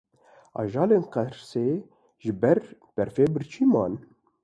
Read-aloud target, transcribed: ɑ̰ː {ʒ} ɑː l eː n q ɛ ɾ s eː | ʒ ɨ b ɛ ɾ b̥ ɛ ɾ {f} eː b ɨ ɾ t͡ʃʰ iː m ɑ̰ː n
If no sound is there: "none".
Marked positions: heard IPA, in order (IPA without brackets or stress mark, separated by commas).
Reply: ʒ, f